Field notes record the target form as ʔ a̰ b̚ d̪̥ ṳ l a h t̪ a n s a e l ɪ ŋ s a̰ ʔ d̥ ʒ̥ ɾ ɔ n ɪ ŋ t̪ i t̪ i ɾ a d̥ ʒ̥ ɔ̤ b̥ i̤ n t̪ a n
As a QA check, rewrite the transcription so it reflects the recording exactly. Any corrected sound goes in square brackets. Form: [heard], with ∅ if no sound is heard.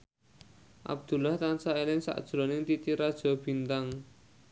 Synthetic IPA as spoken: ʔ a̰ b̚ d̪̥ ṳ l a h t̪ a n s a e l ɪ ŋ s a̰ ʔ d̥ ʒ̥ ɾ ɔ n ɪ ŋ t̪ i t̪ i ɾ a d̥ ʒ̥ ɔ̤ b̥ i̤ n t̪ a [ŋ]